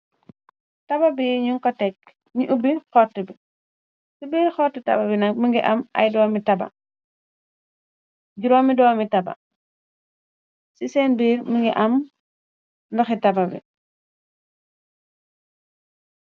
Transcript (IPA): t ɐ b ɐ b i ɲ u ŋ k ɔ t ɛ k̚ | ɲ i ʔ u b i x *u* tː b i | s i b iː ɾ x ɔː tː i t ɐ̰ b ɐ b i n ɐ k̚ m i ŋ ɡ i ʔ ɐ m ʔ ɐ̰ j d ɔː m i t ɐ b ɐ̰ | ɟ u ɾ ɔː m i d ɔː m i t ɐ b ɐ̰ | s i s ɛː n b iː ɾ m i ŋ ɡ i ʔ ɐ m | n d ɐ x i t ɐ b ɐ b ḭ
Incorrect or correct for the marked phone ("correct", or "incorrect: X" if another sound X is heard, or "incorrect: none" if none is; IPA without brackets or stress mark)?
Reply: incorrect: ɔ